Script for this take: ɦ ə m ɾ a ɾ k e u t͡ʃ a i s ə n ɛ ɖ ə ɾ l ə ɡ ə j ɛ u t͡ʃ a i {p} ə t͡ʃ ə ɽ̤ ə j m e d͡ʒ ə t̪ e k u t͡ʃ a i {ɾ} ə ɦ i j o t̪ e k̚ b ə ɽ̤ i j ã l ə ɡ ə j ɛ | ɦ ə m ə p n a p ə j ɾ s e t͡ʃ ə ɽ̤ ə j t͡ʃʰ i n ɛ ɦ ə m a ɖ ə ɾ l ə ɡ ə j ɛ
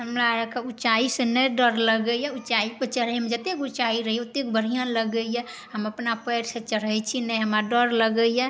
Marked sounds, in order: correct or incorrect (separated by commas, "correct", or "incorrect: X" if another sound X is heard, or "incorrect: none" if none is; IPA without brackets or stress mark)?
correct, correct